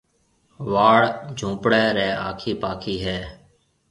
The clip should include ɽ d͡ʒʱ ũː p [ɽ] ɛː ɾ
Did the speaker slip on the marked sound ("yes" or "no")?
no